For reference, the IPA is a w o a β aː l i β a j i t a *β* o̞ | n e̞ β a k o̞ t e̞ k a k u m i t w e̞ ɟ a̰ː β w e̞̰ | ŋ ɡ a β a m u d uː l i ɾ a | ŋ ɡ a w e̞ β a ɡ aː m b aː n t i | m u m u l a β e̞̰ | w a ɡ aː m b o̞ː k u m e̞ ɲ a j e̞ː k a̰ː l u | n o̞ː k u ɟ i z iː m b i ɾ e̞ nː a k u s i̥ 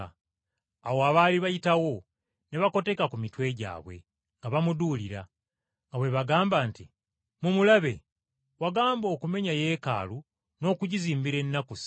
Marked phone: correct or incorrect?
incorrect: w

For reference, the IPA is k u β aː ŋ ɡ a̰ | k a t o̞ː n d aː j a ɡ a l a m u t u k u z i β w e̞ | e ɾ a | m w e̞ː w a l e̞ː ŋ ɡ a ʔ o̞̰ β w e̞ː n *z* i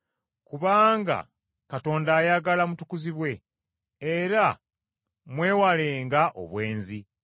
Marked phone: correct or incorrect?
correct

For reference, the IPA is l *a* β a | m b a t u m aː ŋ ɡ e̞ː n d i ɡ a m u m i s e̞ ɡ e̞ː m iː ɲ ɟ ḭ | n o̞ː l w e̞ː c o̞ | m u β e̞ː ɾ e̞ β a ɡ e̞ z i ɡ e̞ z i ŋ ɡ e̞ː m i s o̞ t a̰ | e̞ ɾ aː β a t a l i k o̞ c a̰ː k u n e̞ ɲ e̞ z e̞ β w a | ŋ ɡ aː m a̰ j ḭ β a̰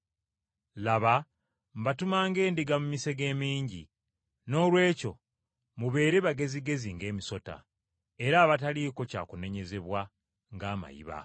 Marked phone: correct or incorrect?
correct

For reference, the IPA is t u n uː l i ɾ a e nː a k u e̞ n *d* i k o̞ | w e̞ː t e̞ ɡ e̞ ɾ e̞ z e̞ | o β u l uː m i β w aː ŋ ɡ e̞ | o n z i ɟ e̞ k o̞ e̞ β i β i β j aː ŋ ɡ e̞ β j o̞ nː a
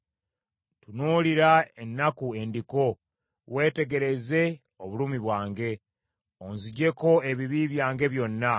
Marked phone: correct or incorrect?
correct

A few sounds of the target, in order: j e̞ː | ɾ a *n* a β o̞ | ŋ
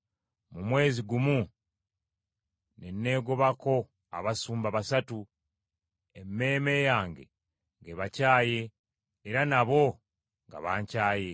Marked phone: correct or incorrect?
correct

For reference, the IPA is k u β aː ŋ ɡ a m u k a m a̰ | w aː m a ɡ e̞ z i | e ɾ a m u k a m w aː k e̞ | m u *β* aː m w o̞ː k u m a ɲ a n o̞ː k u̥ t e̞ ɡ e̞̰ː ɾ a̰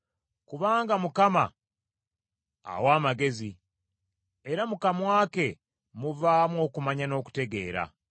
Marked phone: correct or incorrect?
incorrect: v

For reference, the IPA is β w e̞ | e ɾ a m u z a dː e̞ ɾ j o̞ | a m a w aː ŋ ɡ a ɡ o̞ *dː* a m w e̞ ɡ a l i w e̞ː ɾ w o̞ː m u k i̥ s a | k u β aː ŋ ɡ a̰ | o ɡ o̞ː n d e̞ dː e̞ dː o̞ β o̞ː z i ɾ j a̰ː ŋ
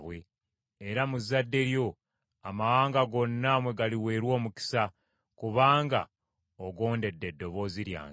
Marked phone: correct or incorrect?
incorrect: nː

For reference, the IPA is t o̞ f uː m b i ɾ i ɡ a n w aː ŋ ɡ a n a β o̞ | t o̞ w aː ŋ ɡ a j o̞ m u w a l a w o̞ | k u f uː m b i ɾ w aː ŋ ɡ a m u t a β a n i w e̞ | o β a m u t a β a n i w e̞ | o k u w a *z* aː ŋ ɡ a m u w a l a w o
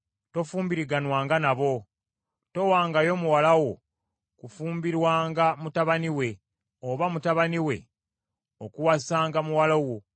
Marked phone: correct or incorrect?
incorrect: s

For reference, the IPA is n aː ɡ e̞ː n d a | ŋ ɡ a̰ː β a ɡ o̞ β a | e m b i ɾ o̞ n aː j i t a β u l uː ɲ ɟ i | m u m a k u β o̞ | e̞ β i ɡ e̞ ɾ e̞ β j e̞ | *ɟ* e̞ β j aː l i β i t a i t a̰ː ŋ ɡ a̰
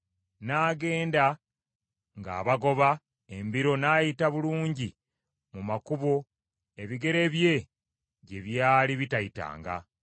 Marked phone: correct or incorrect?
correct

